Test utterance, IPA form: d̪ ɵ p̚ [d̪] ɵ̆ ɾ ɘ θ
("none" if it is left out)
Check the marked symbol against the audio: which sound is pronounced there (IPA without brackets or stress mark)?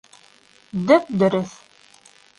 d̪